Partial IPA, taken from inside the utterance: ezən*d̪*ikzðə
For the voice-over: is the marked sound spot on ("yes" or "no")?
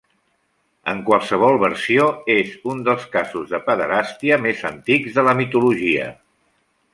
no